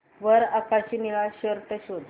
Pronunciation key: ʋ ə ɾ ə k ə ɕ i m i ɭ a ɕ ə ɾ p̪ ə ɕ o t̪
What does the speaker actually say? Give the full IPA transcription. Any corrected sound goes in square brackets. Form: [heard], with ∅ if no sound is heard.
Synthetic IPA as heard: ʋ ə ɾ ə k [a] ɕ i [n] i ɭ a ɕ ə ɾ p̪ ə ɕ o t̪